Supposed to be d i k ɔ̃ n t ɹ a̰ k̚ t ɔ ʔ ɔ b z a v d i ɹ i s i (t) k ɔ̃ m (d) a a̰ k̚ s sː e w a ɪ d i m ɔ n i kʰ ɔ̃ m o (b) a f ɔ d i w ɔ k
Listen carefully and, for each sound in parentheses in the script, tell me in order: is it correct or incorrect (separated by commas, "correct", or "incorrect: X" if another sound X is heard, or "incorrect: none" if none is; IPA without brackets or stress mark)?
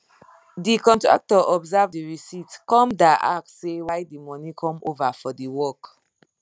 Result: correct, correct, incorrect: v